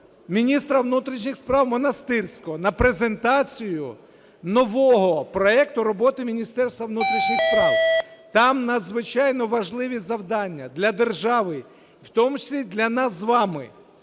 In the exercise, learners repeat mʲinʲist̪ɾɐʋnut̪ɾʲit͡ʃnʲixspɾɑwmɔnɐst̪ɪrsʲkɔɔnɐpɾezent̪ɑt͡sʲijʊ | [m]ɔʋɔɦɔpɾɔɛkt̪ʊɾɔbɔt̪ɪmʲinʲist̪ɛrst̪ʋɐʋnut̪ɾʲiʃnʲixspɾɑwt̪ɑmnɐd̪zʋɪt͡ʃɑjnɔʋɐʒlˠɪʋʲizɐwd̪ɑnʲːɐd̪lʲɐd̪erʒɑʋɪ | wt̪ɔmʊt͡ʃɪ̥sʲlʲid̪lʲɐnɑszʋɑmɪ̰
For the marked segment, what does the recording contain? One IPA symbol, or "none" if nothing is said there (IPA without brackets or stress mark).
n